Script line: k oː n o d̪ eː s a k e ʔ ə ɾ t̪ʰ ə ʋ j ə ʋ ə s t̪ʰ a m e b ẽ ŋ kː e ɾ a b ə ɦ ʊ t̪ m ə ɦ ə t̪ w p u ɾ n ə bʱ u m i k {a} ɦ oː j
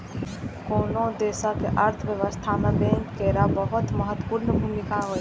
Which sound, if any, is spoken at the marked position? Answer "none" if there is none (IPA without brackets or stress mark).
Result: a